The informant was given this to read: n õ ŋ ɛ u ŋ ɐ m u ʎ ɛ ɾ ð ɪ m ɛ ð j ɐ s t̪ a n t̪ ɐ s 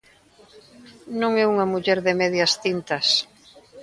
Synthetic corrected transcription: n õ ŋ ɛ u ŋ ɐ m u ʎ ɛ ɾ ð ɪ m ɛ ð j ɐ s t̪ i n t̪ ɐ s